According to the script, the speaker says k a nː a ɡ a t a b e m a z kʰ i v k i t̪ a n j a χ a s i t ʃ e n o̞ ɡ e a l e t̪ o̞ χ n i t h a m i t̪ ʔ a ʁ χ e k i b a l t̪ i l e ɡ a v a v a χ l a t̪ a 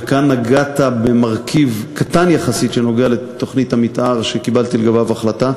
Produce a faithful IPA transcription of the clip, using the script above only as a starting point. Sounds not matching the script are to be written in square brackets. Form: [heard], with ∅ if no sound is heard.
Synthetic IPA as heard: k a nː a ɡ a t a b e m a [ʁ] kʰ i v k [a] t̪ a n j a χ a s i t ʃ e n o̞ ɡ e a l e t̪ o̞ χ n i t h a m i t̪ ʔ a ʁ [ʃ] e k i b a l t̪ i l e ɡ a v a v a χ l a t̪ a

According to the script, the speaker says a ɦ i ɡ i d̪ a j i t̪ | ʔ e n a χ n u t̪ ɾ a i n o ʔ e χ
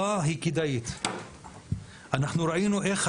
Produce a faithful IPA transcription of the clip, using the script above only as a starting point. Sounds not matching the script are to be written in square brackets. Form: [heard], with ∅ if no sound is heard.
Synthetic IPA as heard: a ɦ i [k] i d̪ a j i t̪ | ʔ [a] n a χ n u [∅] ɾ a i n [u] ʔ e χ

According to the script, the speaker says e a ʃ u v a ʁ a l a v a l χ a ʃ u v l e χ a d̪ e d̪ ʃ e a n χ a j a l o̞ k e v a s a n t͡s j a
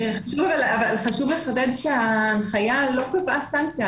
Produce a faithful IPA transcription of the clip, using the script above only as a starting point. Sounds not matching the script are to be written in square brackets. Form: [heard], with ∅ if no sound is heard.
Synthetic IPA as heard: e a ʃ u v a [v] a l a v a l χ a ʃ u v l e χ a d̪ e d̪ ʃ e a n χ a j a l o̞ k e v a s a n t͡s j a

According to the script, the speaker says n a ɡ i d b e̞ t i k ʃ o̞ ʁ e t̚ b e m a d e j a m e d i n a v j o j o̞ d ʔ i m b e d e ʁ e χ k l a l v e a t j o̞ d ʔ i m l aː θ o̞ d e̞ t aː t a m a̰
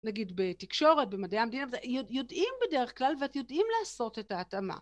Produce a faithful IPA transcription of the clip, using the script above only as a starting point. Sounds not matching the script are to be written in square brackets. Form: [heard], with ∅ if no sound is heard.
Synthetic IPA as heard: n a ɡ i d b e̞ t i k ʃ o̞ ʁ e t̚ b e m a d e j a m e d i n a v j o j o̞ d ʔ i m b e d e ʁ e χ k l a l v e a t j o̞ d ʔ i m l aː [s] o̞ [t] e̞ t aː t a m a̰

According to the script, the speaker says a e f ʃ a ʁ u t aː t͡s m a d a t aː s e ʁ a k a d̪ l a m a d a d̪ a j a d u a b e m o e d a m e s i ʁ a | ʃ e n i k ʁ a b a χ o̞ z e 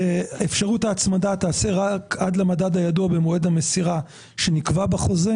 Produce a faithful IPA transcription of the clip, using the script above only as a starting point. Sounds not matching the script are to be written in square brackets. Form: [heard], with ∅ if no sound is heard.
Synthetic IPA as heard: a e f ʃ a ʁ u t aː t͡s m a d a t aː s e ʁ a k a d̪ l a m a d a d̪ a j a d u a b e m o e d a m e s i ʁ a | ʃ e n i k [v] a b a χ o̞ z e

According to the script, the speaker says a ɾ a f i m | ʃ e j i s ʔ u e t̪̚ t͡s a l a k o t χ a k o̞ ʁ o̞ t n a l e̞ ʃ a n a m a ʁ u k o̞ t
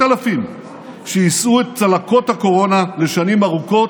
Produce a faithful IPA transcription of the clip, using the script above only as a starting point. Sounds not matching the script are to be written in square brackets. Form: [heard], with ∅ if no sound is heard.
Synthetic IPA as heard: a [l] a f i m | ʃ e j i s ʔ u e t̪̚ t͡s a l a k o t [h] a k o̞ ʁ o̞ [∅] n a l e̞ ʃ a n [i] m a ʁ u k o̞ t

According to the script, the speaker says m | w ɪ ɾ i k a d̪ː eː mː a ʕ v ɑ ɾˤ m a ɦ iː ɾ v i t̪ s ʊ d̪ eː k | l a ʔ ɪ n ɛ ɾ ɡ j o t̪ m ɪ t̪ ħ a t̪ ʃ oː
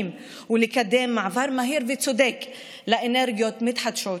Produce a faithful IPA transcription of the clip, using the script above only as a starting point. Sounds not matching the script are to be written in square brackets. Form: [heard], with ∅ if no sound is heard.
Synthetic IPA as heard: m | w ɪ [l] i k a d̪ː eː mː a ʕ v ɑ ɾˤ m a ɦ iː ɾ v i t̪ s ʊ d̪ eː k | l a ʔ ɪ n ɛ ɾ ɡ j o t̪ m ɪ t̪ ħ a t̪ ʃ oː

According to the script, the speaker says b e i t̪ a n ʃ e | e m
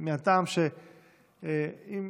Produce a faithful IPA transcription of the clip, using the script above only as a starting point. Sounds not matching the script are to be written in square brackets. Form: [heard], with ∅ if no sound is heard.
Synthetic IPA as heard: [m] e [a] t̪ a [m] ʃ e | [i] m

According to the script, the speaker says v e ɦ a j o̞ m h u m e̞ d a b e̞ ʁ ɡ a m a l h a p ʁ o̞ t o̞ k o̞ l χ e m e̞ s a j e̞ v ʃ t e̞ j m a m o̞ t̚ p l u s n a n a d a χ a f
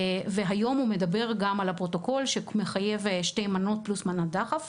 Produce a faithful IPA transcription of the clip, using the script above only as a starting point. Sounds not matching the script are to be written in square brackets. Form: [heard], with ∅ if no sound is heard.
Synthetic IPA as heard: v e ɦ a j o̞ m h u m e̞ d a b e̞ ʁ ɡ a m a l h a p ʁ o̞ t o̞ k o̞ l [ʃ] e m e̞ [χ] a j e̞ v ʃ t e̞ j m a [n] o̞ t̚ p l u s [m] a n a d a χ a f

